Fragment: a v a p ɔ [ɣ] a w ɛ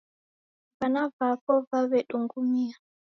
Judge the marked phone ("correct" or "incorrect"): incorrect